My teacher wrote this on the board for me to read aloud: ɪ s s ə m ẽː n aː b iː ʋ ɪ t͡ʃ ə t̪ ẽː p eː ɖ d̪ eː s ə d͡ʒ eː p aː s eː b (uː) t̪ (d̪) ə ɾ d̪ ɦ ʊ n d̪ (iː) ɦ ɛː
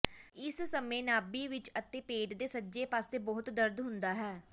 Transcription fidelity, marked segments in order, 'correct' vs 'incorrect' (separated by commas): incorrect, correct, incorrect